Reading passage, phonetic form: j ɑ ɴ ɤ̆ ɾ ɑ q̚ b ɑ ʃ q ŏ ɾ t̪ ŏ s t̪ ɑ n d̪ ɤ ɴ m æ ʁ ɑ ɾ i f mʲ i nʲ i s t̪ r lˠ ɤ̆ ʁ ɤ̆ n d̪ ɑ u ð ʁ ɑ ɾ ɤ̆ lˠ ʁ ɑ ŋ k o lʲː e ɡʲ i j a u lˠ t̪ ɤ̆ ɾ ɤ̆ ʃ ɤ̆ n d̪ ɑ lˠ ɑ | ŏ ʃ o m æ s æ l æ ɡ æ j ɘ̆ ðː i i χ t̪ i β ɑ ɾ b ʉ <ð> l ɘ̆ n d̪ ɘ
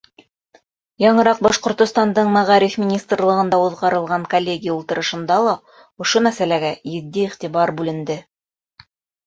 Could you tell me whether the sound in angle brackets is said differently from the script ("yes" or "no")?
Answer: yes